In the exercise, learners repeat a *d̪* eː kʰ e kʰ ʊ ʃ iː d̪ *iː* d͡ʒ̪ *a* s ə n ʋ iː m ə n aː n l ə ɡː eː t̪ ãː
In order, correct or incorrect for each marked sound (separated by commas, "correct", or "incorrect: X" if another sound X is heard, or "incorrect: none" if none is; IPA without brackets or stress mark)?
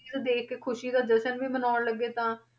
correct, incorrect: aː, incorrect: ə